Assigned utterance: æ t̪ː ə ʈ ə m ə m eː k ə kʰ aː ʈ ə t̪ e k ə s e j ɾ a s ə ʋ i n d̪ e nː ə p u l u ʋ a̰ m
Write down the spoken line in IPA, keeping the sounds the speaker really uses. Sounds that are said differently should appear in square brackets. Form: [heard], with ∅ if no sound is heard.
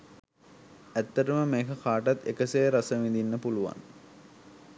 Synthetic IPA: æ t̪ː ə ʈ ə m ə m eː k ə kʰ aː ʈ [a] t̪ e k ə s e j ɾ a s ə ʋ i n d̪ [i] nː ə p u l u ʋ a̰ [n]